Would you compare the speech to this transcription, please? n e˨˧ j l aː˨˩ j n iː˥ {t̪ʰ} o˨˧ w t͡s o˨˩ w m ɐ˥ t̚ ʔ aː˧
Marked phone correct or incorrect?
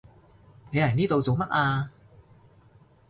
incorrect